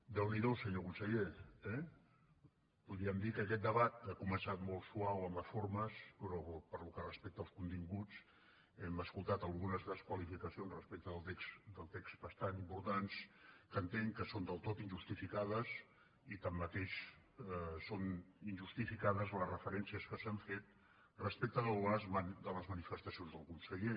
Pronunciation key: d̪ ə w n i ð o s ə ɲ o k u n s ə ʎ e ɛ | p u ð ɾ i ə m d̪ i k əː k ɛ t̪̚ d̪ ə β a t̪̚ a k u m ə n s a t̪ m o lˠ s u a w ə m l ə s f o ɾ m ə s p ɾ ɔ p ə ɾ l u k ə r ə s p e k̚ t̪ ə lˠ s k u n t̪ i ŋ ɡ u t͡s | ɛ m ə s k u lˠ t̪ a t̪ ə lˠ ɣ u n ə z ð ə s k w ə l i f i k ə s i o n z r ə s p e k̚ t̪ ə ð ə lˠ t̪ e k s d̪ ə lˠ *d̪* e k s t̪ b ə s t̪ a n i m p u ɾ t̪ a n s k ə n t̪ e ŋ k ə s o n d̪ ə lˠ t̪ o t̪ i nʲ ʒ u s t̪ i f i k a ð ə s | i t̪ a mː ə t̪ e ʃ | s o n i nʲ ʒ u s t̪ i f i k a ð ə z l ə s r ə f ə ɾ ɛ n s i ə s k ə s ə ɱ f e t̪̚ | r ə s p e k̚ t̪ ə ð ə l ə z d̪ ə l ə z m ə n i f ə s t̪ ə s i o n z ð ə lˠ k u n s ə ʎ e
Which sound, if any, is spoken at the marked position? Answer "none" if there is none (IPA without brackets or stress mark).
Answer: t̪